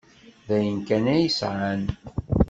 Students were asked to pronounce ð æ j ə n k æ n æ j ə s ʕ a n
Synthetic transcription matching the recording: ð æ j ə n k æ n æ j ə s ʕ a n